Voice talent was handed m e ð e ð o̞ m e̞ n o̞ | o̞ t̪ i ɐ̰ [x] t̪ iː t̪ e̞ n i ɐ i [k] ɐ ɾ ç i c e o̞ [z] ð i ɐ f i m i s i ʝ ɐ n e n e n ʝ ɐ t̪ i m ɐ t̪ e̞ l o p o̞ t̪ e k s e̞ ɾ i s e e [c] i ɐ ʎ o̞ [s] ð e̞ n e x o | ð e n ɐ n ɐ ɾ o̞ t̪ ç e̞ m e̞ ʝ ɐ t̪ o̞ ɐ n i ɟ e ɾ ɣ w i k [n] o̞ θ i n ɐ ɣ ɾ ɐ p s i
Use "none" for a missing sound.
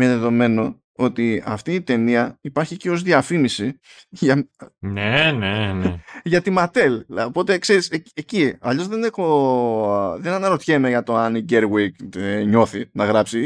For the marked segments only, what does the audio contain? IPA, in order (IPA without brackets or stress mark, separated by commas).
f, p, z, c, z, ɲ